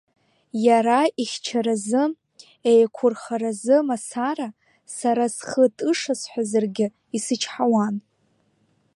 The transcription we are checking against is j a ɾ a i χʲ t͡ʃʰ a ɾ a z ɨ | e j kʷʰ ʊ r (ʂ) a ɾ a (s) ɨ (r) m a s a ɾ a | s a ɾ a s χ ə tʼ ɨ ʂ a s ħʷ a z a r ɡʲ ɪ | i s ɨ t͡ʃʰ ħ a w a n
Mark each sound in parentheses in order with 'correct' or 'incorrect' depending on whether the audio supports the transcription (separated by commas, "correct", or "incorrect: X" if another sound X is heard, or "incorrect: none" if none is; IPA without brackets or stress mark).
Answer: incorrect: χ, incorrect: z, incorrect: none